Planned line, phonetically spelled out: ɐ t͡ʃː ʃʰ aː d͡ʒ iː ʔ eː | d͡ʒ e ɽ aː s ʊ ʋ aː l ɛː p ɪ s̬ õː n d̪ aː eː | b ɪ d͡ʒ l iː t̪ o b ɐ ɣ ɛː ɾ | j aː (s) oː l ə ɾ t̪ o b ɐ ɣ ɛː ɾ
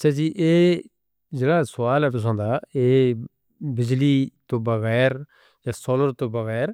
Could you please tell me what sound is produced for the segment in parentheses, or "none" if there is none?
s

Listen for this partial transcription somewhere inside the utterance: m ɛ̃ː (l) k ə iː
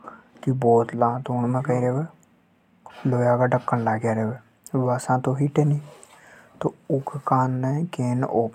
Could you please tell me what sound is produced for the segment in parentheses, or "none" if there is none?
none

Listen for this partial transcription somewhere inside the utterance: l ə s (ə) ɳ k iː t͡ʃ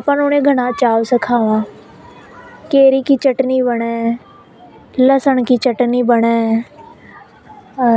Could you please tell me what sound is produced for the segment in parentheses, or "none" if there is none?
ə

